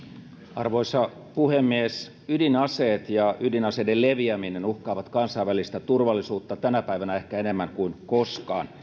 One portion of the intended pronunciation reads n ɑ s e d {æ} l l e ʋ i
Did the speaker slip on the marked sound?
yes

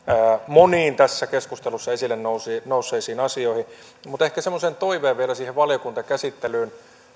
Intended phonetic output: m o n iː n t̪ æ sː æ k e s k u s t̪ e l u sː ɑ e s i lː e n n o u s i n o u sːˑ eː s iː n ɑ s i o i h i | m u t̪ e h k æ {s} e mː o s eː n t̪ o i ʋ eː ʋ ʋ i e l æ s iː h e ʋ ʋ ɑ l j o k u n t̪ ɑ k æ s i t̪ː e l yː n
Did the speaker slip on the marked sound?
no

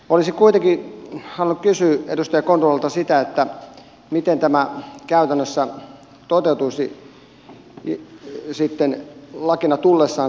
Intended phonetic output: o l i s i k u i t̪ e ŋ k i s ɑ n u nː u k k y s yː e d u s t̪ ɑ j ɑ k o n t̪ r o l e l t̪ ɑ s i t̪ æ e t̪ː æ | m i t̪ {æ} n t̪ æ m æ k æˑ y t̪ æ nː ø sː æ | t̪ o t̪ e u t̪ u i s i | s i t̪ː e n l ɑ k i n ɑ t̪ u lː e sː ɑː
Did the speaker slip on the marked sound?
yes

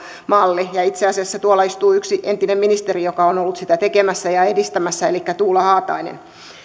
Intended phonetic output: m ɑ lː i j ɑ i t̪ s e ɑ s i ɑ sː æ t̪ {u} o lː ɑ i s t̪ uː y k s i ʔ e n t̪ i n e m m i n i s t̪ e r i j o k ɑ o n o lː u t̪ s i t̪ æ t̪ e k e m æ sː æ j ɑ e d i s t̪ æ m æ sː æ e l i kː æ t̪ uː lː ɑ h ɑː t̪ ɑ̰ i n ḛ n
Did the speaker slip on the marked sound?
no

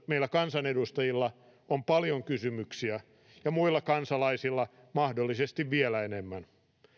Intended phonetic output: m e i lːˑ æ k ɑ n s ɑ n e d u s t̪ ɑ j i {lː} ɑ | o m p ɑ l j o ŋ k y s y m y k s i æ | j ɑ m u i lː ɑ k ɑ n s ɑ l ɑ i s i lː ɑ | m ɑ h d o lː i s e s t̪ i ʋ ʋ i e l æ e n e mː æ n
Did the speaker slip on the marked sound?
no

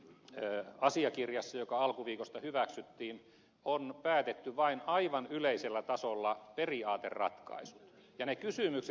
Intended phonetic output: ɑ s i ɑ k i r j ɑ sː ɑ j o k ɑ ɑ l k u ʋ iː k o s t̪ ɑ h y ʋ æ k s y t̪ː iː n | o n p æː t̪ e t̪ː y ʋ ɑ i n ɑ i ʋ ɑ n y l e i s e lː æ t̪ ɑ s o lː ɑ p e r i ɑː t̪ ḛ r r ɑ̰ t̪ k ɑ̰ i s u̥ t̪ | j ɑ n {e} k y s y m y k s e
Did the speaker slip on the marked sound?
no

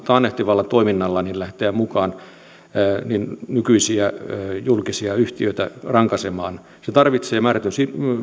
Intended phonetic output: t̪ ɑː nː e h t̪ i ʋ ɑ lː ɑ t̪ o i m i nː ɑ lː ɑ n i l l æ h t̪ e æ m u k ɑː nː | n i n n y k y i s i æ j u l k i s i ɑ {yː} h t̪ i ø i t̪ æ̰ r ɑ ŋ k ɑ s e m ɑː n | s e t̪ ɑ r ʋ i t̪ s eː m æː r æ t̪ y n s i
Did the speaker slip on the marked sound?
yes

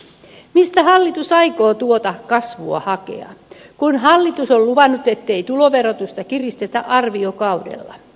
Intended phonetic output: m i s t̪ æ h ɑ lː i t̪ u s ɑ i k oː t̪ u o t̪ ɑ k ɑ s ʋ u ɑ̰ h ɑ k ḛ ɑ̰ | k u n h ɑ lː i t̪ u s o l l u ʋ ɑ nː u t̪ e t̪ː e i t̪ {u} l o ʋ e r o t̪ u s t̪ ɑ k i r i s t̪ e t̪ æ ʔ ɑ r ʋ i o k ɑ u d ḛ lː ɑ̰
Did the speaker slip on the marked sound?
no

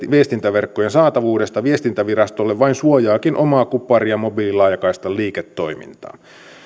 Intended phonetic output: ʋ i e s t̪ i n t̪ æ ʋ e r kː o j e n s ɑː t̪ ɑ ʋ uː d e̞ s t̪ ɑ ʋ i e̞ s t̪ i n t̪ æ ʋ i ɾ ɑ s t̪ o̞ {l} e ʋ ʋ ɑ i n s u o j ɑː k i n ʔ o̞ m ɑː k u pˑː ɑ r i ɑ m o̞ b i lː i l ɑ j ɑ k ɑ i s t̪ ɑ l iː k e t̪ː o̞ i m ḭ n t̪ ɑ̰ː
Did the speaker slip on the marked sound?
yes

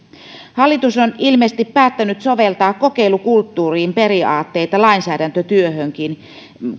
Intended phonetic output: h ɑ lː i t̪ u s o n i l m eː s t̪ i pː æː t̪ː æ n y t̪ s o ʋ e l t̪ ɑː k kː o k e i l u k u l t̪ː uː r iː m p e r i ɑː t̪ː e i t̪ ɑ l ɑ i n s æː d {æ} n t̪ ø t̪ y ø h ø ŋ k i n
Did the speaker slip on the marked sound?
no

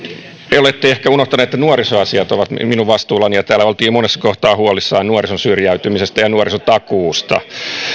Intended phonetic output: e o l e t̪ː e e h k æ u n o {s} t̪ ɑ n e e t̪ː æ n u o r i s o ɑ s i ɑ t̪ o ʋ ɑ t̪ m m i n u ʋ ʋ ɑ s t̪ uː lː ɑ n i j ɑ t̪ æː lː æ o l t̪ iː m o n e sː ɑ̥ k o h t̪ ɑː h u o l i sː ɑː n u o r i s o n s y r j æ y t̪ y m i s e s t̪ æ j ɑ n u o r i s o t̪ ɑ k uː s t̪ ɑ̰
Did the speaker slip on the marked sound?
yes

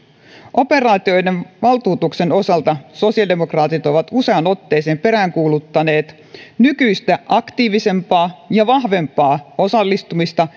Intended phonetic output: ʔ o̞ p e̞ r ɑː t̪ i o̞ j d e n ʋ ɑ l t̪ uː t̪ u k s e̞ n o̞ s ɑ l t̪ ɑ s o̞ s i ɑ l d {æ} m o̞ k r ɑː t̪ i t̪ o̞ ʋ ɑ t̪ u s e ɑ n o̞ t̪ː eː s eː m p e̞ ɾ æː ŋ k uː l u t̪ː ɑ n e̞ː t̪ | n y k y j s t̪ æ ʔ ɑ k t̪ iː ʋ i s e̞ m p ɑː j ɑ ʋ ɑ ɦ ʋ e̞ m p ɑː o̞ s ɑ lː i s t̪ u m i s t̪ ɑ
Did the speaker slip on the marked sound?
yes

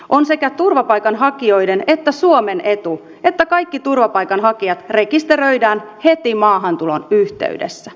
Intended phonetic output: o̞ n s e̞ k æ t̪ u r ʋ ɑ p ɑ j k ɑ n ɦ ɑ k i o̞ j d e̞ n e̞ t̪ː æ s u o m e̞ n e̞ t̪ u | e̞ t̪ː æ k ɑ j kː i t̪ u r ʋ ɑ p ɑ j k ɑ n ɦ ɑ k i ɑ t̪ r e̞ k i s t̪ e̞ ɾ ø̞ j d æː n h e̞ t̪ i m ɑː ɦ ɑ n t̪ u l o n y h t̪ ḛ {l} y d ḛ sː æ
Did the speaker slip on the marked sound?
yes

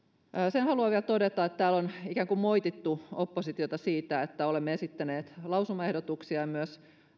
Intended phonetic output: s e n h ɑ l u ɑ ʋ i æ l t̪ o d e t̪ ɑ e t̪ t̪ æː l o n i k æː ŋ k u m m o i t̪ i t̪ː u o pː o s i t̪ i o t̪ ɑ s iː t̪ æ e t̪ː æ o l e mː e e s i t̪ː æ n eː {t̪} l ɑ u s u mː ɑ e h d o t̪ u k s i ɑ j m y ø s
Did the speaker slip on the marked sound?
no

